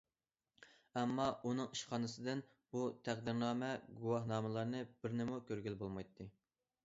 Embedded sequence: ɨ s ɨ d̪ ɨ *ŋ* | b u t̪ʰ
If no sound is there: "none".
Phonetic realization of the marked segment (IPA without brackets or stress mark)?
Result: n